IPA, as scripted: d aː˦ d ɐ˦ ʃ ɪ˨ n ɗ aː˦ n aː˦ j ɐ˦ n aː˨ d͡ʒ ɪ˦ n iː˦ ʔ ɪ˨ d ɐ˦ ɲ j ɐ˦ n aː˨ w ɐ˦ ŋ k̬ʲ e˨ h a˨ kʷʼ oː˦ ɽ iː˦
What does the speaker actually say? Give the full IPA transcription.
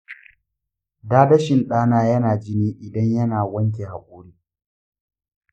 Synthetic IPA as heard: d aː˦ d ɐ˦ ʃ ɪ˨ n ɗ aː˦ n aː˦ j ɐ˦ n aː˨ d͡ʒ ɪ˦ n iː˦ ʔ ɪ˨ d ɐ˦ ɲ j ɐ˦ n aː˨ w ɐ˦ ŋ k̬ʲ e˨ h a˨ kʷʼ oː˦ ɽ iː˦